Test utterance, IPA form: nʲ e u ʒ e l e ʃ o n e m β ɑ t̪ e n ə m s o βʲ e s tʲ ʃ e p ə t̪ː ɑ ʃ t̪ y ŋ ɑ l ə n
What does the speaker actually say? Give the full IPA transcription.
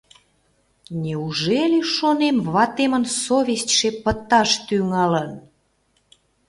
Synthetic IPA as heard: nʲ e u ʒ e l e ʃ o n e m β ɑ t̪ e m ə n s o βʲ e s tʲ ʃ e p ə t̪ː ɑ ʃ t̪ y ŋ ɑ l ə n